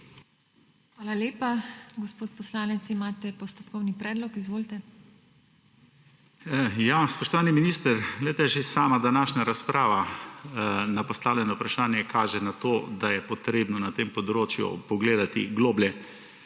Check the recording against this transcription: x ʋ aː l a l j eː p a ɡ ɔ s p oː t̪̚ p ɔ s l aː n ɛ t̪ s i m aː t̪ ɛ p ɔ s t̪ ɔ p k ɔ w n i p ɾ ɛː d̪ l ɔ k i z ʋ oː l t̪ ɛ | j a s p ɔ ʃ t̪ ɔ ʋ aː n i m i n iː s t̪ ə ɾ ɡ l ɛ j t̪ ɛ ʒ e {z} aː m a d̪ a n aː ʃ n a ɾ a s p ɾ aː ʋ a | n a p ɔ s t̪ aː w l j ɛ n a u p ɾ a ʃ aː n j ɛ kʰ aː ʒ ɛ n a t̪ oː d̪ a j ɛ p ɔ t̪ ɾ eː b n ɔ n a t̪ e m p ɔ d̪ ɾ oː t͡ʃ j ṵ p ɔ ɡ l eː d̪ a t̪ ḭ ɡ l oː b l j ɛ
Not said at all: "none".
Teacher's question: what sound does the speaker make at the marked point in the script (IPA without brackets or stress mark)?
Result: s